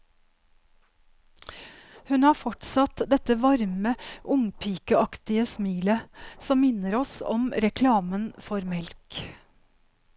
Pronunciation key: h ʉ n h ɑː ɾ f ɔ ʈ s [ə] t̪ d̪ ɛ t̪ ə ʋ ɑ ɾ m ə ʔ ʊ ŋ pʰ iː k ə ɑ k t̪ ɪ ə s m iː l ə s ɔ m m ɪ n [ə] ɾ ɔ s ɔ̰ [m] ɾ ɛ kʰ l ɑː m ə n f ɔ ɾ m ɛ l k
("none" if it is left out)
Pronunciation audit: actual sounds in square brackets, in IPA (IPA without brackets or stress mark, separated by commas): ɑ, ə, m